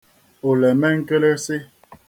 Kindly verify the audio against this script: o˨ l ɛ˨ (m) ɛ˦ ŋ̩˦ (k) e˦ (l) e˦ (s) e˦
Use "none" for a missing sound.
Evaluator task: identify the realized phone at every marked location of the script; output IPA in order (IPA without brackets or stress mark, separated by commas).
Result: m, k, l, s